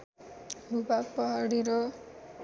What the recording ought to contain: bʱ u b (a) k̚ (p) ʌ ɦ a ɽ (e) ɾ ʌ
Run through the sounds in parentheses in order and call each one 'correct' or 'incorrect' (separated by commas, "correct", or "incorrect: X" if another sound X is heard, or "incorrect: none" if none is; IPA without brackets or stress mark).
correct, correct, incorrect: i